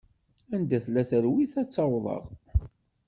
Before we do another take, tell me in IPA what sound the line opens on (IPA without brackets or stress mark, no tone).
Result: æ